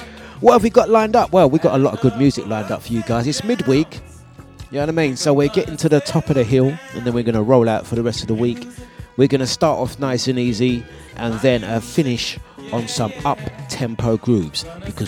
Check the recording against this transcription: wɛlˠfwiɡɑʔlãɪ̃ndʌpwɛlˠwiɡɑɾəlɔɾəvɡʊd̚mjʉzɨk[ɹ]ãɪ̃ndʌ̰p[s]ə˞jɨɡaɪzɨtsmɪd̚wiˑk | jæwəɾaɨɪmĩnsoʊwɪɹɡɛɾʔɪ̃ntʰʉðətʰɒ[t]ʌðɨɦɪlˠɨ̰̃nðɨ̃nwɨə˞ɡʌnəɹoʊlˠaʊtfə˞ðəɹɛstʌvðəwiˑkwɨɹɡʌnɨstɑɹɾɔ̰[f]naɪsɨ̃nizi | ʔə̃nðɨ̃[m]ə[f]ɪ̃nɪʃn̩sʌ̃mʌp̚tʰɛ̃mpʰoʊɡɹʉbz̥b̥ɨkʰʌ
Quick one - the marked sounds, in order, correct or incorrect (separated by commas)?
incorrect, incorrect, incorrect, correct, incorrect, correct